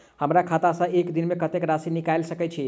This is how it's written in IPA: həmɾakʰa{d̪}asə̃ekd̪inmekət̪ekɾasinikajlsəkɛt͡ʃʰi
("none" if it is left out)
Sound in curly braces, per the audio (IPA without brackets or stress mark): t̪